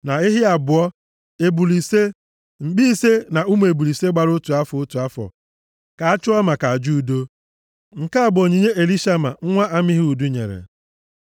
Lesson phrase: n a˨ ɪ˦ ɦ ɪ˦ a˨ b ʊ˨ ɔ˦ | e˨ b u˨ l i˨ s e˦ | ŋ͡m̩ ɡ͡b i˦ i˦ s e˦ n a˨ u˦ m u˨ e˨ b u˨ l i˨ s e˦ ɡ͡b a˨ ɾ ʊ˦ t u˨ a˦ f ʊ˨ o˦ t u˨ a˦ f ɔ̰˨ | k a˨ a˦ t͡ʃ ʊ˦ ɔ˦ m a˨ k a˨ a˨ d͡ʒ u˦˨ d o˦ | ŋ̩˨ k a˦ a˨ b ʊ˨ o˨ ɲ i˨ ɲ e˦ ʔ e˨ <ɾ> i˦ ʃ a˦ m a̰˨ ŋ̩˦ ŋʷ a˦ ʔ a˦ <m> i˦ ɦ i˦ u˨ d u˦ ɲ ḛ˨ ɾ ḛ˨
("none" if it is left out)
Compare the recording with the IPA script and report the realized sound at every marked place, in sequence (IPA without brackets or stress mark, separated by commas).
l, m